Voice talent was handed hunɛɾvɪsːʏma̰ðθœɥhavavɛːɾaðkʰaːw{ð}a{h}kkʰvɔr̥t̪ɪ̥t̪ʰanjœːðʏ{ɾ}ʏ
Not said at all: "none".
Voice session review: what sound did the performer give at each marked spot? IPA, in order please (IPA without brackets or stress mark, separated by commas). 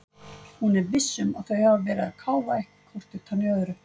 v, h, ɾ